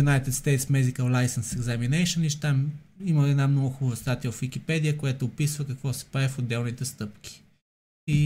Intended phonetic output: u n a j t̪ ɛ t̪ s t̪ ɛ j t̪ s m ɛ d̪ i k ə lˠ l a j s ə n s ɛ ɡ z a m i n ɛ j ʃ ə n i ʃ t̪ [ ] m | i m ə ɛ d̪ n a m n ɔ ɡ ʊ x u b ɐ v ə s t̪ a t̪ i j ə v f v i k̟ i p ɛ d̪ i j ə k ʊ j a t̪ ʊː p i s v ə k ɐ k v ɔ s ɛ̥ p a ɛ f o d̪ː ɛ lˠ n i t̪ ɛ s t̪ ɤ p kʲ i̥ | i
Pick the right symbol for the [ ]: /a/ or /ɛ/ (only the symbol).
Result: a